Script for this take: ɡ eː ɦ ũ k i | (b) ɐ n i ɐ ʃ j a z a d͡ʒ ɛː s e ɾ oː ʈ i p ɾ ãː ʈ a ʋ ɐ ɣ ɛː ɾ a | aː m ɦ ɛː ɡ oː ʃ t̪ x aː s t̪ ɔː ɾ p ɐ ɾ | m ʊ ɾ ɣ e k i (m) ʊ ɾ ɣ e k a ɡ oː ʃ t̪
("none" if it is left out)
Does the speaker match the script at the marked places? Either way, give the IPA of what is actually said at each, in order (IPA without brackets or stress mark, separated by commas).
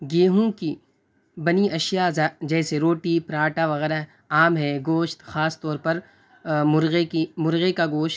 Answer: b, m